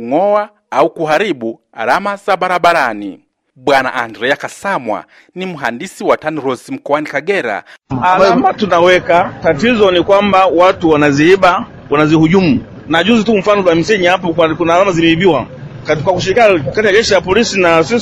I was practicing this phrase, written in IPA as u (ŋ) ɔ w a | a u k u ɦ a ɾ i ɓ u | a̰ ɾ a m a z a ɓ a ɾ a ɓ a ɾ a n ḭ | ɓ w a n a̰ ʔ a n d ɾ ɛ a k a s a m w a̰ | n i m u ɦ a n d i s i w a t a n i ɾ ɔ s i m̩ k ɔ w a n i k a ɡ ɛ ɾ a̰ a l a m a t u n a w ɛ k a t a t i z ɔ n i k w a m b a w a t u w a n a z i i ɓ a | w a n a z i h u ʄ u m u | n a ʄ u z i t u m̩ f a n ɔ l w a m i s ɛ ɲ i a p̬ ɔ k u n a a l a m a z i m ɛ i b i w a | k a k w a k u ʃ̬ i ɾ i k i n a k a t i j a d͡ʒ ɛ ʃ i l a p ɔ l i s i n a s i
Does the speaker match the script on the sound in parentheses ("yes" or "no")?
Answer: yes